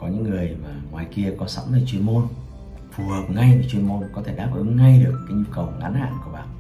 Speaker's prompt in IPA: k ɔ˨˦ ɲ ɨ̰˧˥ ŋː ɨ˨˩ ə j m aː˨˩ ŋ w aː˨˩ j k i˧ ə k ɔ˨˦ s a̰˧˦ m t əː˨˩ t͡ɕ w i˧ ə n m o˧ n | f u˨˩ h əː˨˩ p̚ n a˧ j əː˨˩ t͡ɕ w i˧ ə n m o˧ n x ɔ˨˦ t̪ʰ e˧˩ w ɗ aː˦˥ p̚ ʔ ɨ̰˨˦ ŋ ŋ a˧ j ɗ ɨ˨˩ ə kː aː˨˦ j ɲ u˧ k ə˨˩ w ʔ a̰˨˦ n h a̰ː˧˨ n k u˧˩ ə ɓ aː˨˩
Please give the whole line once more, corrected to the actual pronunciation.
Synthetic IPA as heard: k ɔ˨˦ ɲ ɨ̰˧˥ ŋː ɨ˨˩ ə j m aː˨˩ ŋ w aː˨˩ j k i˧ ə k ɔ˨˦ s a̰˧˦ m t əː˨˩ t͡ɕ w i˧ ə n m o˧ n | f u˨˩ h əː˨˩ p̚ ŋ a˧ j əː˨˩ t͡ɕ w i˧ ə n m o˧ n k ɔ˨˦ t̪ʰ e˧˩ ɗ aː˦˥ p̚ ʔ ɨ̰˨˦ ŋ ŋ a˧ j ɗ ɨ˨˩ ə kː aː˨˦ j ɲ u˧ k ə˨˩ w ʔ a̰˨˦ n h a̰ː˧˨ n k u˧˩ ə ɓ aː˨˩